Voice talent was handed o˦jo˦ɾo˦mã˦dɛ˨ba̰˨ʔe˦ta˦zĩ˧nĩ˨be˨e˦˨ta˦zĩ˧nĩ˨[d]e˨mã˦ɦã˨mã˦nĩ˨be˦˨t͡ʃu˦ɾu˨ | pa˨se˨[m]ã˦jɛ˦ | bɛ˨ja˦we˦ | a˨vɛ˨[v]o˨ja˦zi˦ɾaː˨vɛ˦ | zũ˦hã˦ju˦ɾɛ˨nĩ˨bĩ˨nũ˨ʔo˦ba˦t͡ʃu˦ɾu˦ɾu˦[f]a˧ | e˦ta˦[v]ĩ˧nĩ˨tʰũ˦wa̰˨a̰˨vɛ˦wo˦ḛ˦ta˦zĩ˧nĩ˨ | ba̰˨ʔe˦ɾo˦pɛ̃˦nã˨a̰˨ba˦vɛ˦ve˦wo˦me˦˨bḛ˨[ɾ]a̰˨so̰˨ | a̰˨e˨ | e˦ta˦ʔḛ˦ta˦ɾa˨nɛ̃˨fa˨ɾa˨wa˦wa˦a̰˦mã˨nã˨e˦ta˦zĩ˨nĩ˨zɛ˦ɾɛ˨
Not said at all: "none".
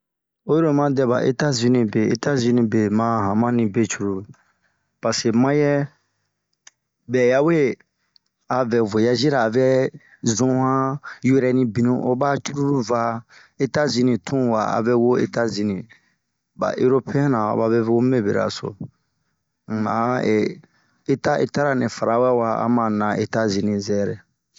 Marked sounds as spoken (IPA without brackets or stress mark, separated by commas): b, m, v, v, z, ɾ